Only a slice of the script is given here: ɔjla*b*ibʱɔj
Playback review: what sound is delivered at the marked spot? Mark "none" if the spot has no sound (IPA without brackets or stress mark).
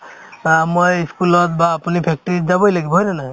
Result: ɡ